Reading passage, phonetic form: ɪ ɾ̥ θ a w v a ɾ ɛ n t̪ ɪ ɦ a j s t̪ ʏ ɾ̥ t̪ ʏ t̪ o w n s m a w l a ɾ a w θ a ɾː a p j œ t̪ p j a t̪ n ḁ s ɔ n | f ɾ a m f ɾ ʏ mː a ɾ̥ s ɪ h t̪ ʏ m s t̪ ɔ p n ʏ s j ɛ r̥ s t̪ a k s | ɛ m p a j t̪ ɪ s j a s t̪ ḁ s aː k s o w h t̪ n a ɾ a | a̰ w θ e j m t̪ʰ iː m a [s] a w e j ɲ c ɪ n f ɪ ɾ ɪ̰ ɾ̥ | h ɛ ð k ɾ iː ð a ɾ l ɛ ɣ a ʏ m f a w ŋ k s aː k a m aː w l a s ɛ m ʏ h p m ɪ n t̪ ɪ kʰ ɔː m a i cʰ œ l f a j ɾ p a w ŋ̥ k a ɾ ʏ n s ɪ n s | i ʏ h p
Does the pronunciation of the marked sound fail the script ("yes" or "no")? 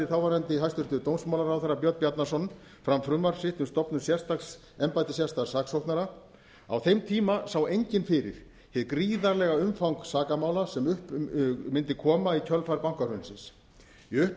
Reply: no